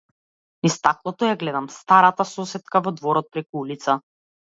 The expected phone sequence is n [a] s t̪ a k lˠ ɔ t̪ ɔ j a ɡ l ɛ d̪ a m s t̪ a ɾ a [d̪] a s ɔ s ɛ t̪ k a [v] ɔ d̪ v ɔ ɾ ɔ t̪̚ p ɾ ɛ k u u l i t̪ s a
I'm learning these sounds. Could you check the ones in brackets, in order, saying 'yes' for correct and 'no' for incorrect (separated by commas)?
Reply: no, no, yes